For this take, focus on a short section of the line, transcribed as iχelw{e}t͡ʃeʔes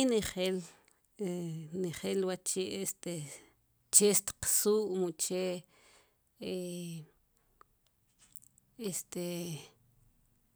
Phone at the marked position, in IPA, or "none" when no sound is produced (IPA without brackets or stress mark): a